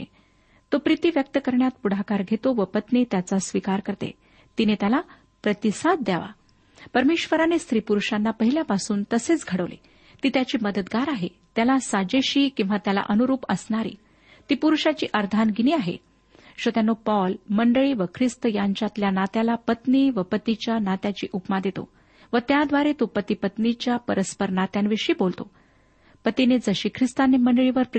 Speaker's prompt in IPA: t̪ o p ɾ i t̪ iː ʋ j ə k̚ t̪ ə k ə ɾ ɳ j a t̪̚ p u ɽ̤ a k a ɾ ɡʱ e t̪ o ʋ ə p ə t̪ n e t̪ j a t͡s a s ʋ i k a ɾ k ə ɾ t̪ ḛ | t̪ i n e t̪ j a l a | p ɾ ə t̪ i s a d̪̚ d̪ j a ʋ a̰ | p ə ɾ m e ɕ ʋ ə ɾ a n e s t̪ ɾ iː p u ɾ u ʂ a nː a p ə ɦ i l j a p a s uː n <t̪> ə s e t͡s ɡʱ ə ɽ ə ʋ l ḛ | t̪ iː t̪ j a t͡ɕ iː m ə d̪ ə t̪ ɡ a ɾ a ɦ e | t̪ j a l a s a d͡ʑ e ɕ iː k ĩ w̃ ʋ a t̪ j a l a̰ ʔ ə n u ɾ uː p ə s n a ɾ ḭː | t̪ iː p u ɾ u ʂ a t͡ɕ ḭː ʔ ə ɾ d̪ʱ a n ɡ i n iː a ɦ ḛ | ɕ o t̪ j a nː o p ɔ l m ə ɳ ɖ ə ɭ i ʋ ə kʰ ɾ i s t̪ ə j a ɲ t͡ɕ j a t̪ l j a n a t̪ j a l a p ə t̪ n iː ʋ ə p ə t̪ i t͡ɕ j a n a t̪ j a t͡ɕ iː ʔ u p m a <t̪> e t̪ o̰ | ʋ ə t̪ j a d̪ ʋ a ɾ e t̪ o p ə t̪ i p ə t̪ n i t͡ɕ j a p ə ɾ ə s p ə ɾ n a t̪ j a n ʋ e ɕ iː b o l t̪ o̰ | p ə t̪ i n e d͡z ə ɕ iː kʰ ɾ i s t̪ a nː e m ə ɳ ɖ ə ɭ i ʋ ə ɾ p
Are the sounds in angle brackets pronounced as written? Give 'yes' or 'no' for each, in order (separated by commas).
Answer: yes, no